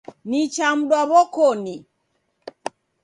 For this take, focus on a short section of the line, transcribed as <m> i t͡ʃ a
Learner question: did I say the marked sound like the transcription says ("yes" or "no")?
no